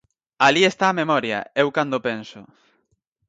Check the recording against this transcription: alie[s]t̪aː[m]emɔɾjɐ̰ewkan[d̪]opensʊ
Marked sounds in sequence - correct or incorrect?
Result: correct, correct, correct

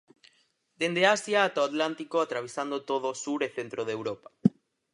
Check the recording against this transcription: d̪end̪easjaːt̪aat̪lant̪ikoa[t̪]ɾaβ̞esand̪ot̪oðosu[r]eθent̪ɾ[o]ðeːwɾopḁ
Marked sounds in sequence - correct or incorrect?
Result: correct, incorrect: ɾ, correct

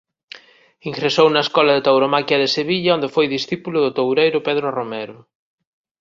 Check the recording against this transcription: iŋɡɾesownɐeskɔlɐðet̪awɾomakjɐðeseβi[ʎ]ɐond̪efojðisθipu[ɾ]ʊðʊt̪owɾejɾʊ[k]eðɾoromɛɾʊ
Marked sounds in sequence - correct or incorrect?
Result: correct, incorrect: l, incorrect: p

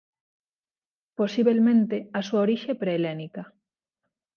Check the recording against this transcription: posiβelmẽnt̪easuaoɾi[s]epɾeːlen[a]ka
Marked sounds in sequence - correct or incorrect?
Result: incorrect: ʃ, incorrect: i

